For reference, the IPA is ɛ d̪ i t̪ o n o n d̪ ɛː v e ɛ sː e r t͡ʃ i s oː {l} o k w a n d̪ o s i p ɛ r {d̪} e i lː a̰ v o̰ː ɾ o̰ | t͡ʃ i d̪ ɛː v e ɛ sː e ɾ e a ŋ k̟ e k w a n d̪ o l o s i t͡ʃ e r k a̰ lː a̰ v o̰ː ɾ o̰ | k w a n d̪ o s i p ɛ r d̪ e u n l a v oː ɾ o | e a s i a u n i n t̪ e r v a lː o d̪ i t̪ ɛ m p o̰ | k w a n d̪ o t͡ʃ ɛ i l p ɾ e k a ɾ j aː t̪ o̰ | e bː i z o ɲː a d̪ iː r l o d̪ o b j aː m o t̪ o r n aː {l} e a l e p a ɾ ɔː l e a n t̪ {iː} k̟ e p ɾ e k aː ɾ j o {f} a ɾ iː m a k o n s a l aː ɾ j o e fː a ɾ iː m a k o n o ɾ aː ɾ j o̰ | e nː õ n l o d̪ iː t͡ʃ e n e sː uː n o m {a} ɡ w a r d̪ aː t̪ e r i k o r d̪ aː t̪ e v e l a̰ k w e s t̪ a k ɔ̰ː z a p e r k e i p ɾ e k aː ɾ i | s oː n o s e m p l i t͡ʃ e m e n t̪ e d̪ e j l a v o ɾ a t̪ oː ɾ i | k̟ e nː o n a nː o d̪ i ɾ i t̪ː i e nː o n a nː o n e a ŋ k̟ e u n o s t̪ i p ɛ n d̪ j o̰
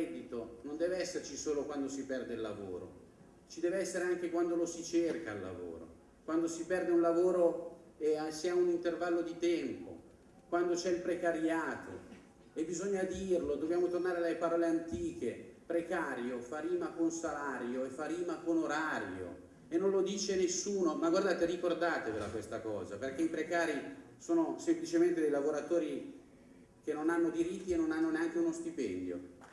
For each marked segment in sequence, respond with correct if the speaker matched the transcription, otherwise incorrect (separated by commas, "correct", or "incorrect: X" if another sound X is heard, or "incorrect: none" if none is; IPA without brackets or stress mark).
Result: correct, correct, incorrect: ɾ, correct, correct, correct